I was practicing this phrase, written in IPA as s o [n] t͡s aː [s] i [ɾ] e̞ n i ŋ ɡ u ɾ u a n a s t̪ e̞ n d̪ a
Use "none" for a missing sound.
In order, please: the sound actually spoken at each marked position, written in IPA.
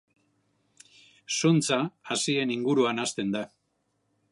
n, s, none

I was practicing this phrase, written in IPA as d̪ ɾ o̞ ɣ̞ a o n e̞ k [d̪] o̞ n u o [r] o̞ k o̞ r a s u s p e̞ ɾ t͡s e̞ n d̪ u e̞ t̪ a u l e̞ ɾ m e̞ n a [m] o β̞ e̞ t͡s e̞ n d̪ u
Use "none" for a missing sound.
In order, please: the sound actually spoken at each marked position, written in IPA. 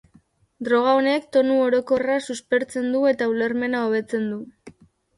t̪, ɾ, none

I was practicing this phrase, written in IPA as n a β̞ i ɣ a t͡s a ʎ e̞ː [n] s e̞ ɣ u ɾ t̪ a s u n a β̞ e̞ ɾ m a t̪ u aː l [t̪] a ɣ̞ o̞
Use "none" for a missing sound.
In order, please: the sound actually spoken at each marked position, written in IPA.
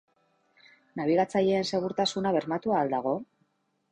n, d̪

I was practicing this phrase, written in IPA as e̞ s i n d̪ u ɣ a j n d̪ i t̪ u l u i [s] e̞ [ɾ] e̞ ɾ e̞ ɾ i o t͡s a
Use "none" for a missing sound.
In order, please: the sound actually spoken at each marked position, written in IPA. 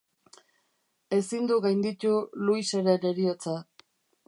s, ɾ

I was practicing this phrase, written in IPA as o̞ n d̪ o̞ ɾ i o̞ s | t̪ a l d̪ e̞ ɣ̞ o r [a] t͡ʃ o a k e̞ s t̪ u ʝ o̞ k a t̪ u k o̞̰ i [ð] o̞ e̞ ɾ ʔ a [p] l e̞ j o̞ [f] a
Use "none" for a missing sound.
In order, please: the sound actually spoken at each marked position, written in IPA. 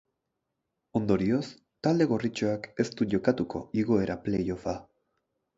i, ɣ, p, f

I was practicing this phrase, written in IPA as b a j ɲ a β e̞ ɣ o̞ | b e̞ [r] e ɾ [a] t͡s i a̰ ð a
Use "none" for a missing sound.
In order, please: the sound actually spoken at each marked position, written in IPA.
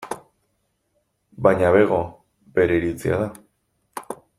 ɾ, i

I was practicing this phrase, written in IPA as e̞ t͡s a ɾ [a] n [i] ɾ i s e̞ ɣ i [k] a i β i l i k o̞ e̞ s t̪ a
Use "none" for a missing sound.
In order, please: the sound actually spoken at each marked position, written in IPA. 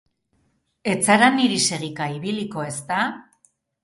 a, i, k

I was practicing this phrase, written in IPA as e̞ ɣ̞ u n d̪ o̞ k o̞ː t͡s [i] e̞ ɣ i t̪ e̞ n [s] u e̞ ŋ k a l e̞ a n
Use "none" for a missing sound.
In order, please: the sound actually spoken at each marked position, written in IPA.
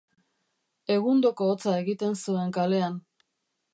a, s

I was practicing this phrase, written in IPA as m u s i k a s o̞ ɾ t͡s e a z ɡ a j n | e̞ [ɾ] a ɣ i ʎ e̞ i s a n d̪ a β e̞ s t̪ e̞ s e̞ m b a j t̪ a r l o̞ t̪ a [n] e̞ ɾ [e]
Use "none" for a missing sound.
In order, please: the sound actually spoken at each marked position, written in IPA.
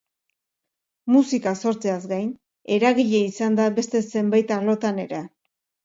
ɾ, n, e

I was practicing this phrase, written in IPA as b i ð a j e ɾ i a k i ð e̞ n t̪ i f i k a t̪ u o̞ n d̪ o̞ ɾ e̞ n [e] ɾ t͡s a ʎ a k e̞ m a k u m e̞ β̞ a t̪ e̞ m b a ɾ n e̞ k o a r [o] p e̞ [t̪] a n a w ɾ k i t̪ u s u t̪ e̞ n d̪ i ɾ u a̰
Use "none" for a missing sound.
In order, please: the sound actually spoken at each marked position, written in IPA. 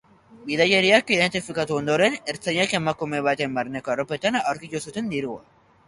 e, o, t̪

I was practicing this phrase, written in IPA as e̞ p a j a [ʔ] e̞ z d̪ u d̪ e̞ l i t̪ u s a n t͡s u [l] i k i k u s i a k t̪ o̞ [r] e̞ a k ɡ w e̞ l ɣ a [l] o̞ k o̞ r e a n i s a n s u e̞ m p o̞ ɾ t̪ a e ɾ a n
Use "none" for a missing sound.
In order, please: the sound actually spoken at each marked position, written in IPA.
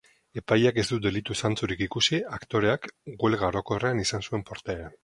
k, ɾ, ɾ, ɾ

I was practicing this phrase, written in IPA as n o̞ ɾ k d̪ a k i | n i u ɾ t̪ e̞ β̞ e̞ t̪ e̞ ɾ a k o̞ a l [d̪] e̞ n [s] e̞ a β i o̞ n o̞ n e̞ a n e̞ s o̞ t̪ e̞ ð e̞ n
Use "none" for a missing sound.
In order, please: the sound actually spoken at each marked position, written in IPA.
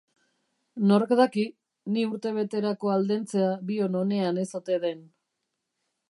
d̪, t͡s

